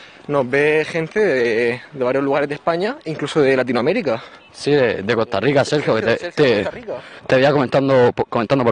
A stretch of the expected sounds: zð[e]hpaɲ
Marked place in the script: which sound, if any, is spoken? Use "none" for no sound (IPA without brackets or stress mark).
e